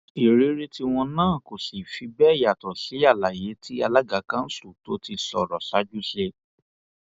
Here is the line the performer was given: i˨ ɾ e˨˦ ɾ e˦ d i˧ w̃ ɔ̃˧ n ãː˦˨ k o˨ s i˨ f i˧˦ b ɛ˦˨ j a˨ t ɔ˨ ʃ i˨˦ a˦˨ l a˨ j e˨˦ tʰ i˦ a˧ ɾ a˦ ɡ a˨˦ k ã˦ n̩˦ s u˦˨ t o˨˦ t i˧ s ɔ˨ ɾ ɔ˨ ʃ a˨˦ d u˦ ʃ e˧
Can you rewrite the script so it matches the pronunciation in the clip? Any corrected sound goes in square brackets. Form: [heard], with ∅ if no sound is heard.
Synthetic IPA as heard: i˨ ɾ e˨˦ ɾ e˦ [t] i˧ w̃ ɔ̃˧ n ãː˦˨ k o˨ s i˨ f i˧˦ b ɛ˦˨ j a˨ t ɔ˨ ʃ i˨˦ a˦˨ l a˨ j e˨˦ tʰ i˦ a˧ [l] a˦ ɡ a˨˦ k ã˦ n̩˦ s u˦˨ t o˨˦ t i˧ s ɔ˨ ɾ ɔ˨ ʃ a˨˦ [d͡ʒ] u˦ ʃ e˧